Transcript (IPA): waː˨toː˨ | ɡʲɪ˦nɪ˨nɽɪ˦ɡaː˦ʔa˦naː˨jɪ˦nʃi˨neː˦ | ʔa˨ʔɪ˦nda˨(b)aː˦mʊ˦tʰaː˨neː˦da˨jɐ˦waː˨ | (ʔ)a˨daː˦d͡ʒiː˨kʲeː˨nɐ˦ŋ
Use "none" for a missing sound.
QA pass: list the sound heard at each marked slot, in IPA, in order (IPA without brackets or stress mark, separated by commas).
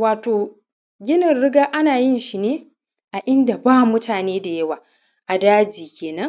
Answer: b, ʔ